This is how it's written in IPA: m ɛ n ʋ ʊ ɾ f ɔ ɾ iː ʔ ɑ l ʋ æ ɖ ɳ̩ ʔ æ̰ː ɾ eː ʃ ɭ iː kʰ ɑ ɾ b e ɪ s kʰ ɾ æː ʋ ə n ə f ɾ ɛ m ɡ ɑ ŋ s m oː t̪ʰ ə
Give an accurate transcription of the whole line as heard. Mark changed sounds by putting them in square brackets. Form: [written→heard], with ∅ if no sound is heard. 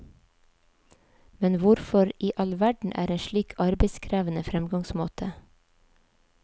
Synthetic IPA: m ɛ n ʋ ʊ ɾ f ɔ ɾ iː ʔ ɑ l ʋ æ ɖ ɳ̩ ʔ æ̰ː ɾ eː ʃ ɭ iː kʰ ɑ ɾ b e ɪ s kʰ ɾ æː ʋ ə n ə f ɾ ɛ m ɡ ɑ ŋ s m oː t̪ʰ ə